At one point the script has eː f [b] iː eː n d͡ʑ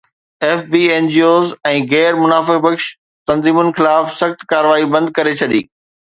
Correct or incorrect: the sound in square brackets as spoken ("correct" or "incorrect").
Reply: correct